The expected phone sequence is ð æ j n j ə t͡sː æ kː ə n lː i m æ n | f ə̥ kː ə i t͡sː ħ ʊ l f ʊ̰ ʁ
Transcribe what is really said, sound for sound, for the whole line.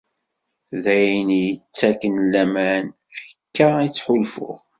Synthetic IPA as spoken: ð æ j n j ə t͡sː æ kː ə n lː æ m æ n | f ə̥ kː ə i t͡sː ħ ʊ l f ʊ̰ ʁ

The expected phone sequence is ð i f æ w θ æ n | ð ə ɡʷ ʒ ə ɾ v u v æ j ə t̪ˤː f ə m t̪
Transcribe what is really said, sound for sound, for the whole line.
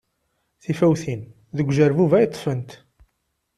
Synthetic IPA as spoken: θ i f æ w θ i n | ð ə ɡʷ ʒ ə ɾ v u v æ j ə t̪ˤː f ə n t̪

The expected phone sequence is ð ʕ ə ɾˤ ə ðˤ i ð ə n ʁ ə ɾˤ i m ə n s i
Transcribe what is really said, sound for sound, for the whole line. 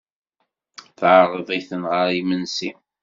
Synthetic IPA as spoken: θ ʕ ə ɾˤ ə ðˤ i θ ə n ʁ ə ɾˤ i m ə n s i

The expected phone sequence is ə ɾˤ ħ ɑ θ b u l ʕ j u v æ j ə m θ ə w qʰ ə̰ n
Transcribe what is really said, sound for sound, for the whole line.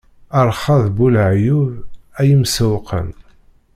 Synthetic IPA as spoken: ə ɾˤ χ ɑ ð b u l ʕ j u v æ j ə m s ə w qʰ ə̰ n

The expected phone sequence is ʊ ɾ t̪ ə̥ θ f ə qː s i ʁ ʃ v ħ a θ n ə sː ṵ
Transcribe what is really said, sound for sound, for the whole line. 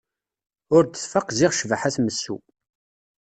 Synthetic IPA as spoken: ʊ ɾ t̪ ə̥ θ f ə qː z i ʁ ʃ v ħ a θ m ə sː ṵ

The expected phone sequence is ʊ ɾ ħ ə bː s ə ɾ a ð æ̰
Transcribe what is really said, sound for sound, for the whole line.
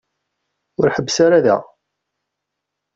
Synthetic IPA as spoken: ʊ ɾ ħ ə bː s a ɾ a ð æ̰

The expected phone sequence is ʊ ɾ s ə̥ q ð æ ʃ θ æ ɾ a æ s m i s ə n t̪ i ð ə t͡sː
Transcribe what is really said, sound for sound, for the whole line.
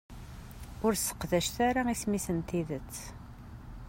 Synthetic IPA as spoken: ʊ ɾ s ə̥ q ð æ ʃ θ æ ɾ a i s m i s ə n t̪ i ð ə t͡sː

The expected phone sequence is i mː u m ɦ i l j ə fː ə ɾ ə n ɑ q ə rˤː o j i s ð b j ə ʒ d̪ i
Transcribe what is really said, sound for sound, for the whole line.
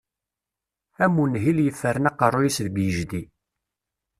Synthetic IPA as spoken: æ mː u n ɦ i l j ə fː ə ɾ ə n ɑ q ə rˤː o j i s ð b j ə ʒ d̪ i

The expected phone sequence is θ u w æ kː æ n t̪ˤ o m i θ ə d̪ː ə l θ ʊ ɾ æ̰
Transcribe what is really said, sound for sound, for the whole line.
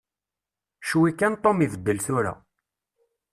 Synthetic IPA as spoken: ʃ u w i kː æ n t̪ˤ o m i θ ə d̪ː ə l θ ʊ ɾ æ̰

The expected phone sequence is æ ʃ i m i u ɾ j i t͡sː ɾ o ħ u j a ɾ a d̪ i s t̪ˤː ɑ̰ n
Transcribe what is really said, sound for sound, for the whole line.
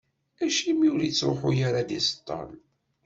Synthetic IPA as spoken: æ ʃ i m i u ɾ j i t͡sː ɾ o ħ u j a ɾ a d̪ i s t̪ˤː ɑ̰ n

